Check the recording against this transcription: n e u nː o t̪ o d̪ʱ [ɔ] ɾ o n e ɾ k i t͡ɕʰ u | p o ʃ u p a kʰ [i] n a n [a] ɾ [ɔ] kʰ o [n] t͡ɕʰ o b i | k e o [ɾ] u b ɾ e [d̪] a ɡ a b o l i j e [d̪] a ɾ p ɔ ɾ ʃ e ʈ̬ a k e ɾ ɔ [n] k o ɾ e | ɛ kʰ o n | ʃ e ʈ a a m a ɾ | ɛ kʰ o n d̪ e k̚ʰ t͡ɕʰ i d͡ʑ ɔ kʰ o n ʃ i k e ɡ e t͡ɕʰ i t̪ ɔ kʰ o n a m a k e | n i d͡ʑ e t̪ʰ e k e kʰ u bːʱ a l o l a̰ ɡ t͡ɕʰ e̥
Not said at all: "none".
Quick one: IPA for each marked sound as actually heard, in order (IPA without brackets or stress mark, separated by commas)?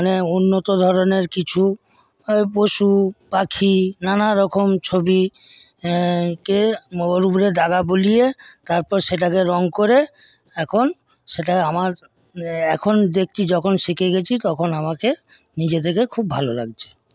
ɔ, i, a, ɔ, m, ɾ, d̪, t̪, ŋ